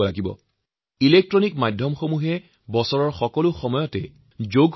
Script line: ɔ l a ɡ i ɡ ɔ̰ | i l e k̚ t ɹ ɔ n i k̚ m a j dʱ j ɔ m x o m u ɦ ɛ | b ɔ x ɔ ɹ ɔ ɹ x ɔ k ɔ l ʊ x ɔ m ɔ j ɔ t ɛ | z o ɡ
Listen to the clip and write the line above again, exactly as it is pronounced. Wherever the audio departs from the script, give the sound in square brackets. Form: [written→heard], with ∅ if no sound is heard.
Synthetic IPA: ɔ l a ɡ i [ɡ→b] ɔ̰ | i l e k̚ t ɹ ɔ n i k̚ m a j dʱ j ɔ m x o m u ɦ ɛ | b ɔ [x→s] ɔ ɹ ɔ ɹ x ɔ k ɔ l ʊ x ɔ m ɔ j ɔ t ɛ | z o ɡ